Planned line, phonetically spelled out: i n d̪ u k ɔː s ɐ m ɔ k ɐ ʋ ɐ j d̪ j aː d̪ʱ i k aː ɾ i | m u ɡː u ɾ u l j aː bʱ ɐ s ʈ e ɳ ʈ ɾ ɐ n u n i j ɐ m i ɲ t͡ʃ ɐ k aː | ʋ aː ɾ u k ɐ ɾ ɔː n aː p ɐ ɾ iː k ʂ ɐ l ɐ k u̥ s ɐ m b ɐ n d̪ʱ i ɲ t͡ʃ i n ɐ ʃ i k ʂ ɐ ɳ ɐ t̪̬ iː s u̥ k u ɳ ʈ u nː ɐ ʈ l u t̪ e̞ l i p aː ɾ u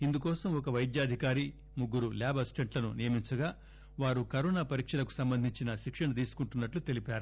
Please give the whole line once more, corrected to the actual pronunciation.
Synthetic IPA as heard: i n d̪ u k ɔː s ɐ m ɔ k ɐ ʋ ɐ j d̪ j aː d̪ʱ i k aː ɾ i | m u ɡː u ɾ u l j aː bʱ ɐ s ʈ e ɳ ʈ l ɐ n u n i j ɐ m i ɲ t͡ʃ ɐ ɡ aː | ʋ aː ɾ u k ɐ ɾ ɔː n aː p ɐ ɾ iː k ʂ ɐ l ɐ k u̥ s ɐ m b ɐ n d̪ʱ i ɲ t͡ʃ i n ɐ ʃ i k ʂ ɐ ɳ ɐ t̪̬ iː s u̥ k u ɳ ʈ u nː ɐ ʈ l u t̪ e̞ l i p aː ɾ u

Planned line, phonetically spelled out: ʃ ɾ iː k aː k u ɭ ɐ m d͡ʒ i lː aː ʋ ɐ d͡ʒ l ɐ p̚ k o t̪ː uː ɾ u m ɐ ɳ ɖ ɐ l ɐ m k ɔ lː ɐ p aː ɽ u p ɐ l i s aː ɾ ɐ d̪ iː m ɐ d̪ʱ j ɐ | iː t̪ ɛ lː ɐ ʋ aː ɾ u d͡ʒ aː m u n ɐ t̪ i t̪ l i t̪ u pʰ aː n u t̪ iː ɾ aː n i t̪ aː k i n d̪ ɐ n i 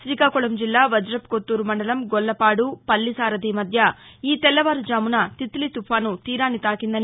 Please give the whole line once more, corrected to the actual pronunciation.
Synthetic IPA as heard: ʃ ɾ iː k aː k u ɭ ɐ m d͡ʒ i lː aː ʋ ɐ d͡ʒ ɾ ɐ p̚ k o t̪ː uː ɾ u m ɐ ɳ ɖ ɐ l ɐ m ɡ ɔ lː ɐ p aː ɽ u p ɐ lː i s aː ɾ ɐ d̪ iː m ɐ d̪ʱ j ɐ | iː t̪ ɛ lː ɐ ʋ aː ɾ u d͡ʒ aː m u n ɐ t̪ i t̪ l i t̪ u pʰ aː n u t̪ iː ɾ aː n i t̪ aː k i n d̪ ɐ n i

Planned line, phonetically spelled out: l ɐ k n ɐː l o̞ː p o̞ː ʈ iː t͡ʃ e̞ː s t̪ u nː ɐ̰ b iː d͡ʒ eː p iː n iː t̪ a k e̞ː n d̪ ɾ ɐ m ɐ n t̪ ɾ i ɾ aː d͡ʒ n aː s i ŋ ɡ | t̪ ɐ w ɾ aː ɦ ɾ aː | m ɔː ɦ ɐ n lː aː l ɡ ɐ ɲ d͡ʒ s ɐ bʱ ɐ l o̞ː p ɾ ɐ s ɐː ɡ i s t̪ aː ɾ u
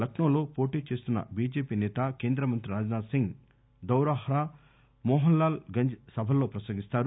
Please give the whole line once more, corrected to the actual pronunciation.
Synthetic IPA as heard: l ɐ k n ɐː l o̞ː p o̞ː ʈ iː t͡ʃ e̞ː s t̪ u nː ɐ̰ b iː d͡ʒ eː p iː n ɛː t̪ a k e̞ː n d̪ ɾ ɐ m ɐ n t̪ ɾ i ɾ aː d͡ʒ n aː s i ŋ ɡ | d̪ ɐ w ɾ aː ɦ ɾ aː | m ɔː ɦ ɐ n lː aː l ɡ ɐ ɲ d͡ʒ s ɐ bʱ ɐ l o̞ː p ɾ ɐ s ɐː ɡ i s t̪ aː ɾ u

